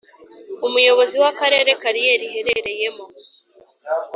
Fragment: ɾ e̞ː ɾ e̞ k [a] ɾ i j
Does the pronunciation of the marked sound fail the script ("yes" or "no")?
no